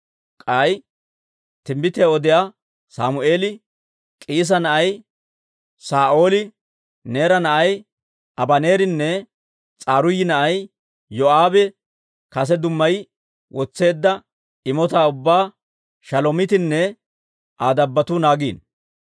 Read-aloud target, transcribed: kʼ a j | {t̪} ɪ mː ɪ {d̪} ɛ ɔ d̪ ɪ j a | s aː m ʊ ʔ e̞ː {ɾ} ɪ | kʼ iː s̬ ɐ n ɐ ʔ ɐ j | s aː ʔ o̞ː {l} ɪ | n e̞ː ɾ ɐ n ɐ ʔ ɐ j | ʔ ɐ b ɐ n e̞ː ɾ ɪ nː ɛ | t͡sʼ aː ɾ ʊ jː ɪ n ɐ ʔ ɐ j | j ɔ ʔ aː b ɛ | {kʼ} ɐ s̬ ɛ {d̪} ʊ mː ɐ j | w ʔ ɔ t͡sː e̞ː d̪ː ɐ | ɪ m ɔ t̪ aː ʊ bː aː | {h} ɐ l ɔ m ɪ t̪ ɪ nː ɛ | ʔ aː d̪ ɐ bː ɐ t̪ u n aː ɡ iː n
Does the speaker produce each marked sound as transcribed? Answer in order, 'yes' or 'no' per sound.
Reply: yes, no, no, yes, no, yes, no

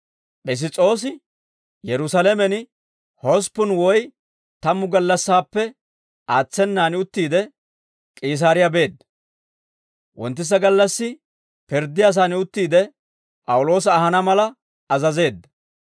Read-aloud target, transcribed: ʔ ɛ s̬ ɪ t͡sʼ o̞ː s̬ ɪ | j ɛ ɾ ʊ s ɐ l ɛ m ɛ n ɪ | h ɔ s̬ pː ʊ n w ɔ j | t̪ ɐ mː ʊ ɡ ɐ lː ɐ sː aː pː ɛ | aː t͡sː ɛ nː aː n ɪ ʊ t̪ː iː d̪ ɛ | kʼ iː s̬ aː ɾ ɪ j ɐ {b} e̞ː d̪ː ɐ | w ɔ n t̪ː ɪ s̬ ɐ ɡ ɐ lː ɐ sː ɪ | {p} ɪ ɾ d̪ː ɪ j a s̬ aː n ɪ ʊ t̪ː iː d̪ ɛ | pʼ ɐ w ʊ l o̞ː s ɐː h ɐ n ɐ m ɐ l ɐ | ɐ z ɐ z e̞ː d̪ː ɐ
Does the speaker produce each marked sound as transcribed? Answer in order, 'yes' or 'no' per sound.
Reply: yes, yes

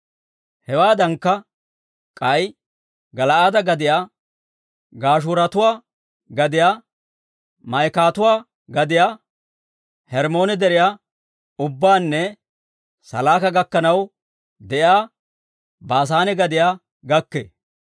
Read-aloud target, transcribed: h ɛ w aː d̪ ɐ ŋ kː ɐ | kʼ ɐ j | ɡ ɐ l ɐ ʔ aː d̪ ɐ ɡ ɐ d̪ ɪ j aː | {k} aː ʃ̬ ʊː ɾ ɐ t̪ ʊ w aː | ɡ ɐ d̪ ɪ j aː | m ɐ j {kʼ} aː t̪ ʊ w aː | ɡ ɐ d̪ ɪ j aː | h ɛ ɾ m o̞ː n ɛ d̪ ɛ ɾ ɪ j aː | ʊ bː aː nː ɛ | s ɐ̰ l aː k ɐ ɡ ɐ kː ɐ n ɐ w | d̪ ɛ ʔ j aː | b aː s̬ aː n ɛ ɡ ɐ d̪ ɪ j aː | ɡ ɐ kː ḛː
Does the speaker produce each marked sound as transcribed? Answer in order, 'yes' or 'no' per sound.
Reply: no, no

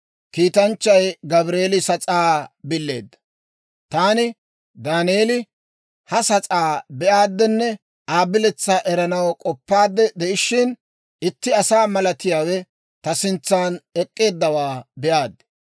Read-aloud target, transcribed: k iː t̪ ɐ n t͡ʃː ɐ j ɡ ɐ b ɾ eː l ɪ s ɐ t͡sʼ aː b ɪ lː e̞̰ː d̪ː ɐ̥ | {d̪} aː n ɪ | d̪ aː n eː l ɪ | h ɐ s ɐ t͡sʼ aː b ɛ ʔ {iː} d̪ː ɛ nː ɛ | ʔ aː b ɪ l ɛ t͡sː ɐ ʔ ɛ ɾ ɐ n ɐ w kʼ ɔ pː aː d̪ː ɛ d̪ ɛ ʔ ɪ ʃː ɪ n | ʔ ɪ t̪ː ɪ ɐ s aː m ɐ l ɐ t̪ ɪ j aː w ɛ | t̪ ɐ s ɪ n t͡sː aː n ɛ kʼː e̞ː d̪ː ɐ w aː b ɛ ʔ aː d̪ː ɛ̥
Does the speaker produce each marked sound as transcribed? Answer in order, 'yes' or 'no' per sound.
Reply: no, no

